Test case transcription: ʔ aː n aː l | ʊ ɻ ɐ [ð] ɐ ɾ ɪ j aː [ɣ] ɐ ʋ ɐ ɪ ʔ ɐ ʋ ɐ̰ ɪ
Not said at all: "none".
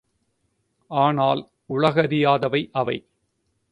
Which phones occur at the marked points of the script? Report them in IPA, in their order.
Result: ɣ, ð

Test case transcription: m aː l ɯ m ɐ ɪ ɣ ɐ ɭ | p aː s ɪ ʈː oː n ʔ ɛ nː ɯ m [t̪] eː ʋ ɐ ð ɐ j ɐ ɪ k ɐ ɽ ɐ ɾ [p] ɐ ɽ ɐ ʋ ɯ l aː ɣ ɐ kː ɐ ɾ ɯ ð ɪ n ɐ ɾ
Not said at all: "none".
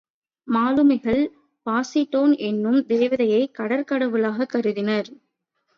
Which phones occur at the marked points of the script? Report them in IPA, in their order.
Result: d̪, k

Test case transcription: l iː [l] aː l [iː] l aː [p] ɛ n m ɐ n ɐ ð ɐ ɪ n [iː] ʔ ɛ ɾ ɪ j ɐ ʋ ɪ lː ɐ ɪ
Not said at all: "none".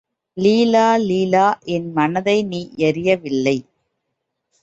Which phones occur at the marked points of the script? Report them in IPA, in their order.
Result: l, iː, ʔ, iː

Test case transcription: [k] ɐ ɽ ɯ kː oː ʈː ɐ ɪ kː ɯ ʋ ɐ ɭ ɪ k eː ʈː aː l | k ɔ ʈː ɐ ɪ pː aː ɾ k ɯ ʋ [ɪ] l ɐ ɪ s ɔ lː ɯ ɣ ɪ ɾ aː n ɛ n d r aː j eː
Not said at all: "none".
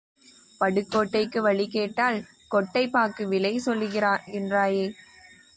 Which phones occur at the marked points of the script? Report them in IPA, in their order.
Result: p, ɪ

